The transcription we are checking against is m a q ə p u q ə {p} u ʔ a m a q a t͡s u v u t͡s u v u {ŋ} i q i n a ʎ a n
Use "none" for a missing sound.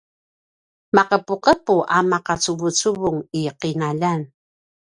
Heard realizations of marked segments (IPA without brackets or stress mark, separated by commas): p, ŋ